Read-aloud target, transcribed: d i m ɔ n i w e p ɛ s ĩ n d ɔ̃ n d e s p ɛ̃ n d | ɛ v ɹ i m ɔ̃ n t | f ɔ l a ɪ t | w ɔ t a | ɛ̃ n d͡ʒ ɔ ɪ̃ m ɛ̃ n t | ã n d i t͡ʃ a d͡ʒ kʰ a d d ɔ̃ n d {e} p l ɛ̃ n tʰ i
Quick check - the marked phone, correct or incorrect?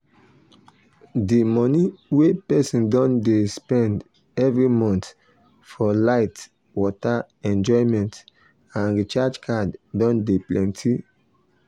correct